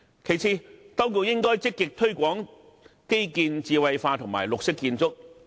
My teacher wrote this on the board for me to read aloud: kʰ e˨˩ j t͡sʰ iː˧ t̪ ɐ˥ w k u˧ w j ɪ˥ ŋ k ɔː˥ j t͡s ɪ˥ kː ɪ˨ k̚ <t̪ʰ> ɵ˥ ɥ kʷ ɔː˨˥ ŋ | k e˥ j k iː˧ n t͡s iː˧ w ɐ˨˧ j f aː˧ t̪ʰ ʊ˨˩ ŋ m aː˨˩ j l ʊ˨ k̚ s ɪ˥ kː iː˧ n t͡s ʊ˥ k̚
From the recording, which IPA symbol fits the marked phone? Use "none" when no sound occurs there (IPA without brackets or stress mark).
t̪ʰ